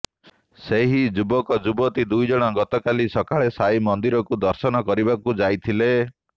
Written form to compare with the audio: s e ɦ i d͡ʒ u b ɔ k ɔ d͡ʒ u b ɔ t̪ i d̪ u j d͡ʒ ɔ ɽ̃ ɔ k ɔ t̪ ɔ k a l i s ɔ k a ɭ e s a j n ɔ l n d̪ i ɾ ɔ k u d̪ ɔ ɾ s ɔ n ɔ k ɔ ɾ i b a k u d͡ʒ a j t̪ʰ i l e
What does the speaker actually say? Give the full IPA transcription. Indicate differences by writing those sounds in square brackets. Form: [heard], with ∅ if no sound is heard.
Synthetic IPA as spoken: s e ɦ i d͡ʒ u b ɔ k ɔ d͡ʒ u b ɔ t̪ i d̪ u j d͡ʒ ɔ ɽ̃ ɔ [ɡ] ɔ t̪ ɔ k a l i s ɔ k a ɭ e s a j [m] ɔ [∅] n d̪ i ɾ ɔ k u d̪ ɔ ɾ s ɔ n ɔ k ɔ ɾ i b a k u d͡ʒ a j t̪ʰ i l e